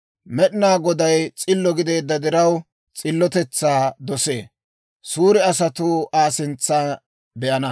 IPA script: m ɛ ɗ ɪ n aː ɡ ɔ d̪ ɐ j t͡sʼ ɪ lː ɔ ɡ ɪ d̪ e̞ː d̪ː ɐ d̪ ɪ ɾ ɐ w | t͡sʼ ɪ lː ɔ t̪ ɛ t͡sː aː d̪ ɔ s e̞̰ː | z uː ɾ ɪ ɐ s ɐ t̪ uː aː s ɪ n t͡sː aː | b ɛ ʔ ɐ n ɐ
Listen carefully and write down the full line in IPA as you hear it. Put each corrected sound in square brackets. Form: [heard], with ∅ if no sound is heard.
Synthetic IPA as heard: m ɛ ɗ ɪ n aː ɡ ɔ d̪ ɐ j t͡sʼ ɪ lː ɔ ɡ ɪ d̪ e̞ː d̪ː ɐ d̪ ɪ ɾ ɐ w | t͡sʼ ɪ lː ɔ t̪ ɛ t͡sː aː d̪ ɔ s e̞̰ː | [s] uː ɾ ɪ ɐ s ɐ t̪ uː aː s ɪ n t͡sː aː | b ɛ ʔ ɐ n ɐ